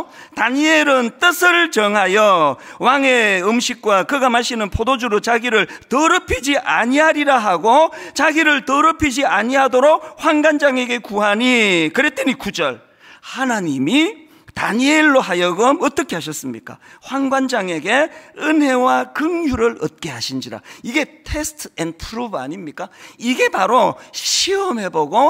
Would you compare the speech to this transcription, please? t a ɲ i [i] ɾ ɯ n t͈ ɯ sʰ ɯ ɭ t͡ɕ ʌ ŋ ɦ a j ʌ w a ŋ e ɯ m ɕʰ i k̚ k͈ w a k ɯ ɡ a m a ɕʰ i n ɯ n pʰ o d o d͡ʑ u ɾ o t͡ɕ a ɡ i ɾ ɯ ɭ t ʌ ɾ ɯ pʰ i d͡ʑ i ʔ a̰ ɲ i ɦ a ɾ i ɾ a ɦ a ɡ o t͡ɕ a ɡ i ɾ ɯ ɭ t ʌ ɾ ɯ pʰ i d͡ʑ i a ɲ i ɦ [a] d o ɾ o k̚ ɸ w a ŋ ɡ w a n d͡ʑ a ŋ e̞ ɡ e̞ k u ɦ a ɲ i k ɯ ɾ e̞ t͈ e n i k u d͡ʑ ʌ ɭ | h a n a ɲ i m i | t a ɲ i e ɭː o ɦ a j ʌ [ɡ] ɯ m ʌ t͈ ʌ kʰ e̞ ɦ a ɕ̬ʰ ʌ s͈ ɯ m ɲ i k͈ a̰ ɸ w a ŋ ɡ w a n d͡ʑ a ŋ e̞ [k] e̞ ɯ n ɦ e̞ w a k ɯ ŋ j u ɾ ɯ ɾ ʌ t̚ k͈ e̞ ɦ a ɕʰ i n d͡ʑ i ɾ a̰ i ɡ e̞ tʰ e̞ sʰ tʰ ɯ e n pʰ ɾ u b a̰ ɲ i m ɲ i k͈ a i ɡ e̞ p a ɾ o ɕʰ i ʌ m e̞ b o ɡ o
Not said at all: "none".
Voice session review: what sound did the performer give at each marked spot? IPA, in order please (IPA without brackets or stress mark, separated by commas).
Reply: e, a, ɡ, ɡ